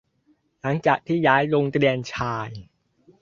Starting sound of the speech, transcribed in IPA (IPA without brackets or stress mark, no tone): l